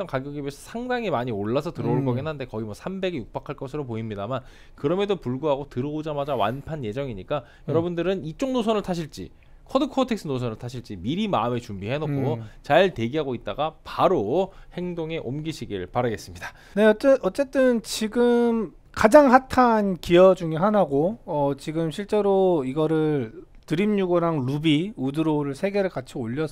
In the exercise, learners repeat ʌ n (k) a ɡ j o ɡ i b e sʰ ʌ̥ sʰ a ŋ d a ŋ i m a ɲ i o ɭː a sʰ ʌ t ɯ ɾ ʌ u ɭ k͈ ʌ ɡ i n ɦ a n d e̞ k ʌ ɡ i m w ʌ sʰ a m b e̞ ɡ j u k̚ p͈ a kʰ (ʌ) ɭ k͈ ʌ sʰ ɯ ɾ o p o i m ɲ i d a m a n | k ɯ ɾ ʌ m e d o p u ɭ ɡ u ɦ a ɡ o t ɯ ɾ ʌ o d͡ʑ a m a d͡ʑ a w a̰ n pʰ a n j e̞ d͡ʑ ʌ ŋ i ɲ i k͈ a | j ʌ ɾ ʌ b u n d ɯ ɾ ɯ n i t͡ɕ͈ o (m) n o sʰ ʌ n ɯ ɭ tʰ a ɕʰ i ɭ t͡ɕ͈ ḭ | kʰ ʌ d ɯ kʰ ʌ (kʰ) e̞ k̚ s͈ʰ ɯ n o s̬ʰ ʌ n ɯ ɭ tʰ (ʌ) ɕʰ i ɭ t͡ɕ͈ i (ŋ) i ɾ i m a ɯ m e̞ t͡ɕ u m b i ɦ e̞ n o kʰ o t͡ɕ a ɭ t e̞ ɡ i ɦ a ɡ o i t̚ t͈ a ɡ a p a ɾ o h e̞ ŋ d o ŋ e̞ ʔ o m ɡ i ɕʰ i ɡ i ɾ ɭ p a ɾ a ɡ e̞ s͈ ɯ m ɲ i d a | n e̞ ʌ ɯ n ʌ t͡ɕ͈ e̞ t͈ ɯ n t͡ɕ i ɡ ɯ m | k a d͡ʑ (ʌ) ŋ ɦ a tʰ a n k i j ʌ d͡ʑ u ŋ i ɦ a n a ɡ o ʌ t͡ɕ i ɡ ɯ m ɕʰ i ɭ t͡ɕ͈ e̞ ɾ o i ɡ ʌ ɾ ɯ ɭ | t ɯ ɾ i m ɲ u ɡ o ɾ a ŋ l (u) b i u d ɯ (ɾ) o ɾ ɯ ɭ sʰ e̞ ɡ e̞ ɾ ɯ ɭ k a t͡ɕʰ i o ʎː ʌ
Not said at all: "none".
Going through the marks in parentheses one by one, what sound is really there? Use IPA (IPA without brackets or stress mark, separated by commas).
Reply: k, a, ŋ, tʰ, a, m, a, u, ɾ